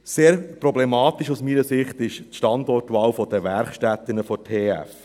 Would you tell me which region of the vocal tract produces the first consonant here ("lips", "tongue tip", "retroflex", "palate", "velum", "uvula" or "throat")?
tongue tip